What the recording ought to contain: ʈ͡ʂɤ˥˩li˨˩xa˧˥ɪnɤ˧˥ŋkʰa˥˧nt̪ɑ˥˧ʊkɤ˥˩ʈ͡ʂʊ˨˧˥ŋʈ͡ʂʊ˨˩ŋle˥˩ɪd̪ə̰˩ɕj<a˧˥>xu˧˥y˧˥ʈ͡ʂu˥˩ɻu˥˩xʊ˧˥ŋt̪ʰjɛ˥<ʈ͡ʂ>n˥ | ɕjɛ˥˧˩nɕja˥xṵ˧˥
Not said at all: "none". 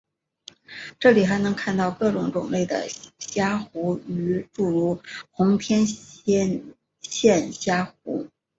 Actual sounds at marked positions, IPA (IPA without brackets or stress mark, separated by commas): a˥, none